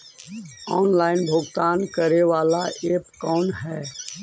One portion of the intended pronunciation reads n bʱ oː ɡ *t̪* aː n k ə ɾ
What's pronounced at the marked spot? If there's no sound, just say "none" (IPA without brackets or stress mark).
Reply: t̪